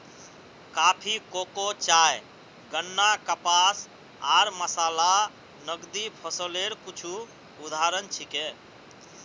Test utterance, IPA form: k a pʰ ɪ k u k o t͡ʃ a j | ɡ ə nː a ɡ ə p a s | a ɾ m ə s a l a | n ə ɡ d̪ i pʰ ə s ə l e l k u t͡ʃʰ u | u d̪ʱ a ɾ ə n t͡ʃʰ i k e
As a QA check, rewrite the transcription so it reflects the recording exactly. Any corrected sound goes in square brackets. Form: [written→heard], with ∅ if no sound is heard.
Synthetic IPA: k a pʰ [ɪ→i] k [u→o] k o t͡ʃ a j | ɡ ə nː a [ɡ→k] ə p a s | a ɾ m ə s a l a | n ə ɡ d̪ i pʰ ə s ə l e [l→ɾ] k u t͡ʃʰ u | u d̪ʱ a ɾ ə n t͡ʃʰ i k e